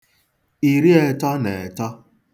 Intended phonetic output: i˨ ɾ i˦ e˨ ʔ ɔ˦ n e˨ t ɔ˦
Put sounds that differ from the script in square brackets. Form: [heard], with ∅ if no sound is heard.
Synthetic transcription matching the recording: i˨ ɾ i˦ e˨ [t] ɔ˦ n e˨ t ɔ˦